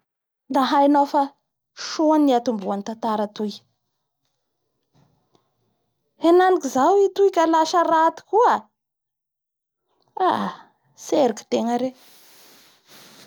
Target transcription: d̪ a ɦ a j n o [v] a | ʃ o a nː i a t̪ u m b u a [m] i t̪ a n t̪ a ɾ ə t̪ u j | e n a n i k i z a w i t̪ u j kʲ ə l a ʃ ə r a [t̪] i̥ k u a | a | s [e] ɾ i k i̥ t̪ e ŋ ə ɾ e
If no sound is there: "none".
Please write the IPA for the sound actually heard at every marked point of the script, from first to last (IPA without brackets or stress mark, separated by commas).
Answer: f, n, t̪, e